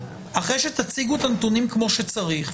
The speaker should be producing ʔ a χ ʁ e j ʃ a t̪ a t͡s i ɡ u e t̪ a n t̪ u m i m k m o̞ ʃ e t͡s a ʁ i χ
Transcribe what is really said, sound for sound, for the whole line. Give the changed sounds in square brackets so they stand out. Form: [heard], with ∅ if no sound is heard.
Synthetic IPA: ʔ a χ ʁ e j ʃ [e] t̪ a t͡s i ɡ u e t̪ a n t̪ u [n] i m k m o̞ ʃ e t͡s a ʁ i χ